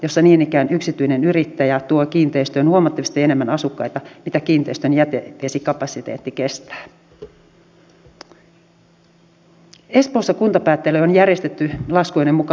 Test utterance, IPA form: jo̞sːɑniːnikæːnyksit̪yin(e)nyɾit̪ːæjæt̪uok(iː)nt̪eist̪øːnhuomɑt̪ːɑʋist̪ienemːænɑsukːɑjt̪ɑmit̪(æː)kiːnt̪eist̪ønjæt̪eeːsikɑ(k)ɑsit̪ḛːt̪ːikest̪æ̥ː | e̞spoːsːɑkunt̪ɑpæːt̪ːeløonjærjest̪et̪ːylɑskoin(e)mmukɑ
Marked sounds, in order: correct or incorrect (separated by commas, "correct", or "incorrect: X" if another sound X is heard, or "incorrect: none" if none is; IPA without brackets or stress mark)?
correct, correct, incorrect: æ, incorrect: p, correct